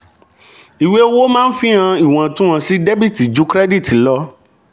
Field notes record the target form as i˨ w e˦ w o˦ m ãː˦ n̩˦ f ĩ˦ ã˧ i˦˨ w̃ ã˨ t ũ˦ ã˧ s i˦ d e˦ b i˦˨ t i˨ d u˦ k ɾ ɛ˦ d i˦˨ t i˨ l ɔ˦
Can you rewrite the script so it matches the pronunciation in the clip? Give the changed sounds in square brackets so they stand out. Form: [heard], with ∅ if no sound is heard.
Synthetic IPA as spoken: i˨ w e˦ w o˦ m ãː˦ n̩˦ f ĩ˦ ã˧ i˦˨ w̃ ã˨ t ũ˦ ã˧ s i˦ d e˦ b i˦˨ t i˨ [d͡ʒ] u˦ k ɾ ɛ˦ d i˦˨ t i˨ l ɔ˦